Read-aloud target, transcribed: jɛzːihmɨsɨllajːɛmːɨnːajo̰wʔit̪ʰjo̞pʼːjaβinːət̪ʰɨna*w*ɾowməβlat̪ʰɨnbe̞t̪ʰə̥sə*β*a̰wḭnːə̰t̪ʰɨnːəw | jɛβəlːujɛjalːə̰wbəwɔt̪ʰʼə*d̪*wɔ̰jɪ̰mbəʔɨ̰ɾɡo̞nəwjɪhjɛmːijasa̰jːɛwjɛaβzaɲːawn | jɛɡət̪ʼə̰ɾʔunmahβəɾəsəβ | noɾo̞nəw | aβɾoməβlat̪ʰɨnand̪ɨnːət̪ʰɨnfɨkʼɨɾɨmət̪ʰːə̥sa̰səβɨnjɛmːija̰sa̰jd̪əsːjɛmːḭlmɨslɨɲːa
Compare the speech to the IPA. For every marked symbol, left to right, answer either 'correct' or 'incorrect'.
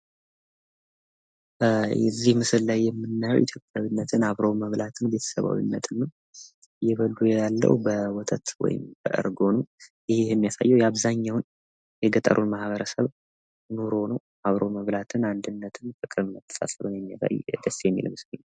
incorrect: β, correct, incorrect: t̪

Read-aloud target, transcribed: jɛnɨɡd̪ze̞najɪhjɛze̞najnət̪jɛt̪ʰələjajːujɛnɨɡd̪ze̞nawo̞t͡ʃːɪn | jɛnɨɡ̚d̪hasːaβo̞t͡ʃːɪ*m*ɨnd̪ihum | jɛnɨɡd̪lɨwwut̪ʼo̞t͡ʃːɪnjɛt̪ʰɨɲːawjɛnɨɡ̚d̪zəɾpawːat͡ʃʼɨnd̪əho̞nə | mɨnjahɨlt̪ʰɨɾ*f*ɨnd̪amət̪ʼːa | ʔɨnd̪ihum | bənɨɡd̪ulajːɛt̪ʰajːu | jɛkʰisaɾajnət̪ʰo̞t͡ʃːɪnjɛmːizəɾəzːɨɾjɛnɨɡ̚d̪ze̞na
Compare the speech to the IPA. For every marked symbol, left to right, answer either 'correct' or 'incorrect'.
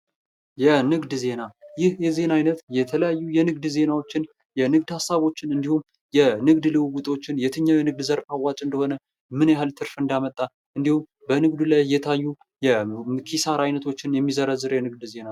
incorrect: n, correct

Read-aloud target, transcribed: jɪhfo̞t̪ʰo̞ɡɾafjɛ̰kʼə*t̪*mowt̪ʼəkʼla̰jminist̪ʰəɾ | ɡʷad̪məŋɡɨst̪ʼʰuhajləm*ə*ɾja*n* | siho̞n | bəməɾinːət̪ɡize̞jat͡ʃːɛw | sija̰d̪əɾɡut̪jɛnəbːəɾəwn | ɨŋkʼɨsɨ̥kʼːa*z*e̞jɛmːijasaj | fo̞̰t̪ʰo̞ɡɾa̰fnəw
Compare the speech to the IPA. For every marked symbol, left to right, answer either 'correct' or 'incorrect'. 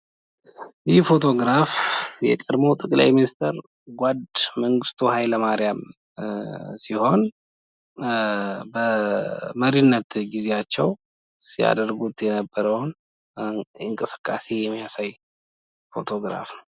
incorrect: d̪, incorrect: a, incorrect: m, incorrect: s

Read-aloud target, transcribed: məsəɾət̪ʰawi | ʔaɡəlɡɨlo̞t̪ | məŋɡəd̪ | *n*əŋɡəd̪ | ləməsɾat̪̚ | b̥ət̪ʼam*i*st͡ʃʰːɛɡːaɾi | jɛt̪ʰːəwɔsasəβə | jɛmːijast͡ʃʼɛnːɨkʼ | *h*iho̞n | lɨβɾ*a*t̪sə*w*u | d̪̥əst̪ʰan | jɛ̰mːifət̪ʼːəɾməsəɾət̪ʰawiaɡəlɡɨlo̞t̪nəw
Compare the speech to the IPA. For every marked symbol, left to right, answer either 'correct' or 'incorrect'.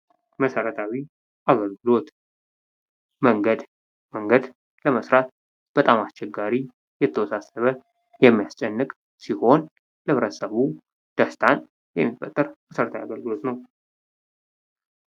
incorrect: m, incorrect: a, incorrect: s, incorrect: ə, incorrect: β

